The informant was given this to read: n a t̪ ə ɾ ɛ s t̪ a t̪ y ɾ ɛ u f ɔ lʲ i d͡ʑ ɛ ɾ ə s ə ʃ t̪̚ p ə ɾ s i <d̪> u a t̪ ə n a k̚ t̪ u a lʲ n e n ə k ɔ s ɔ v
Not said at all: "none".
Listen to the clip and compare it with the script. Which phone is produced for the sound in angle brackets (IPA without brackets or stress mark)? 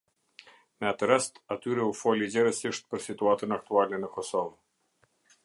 t̪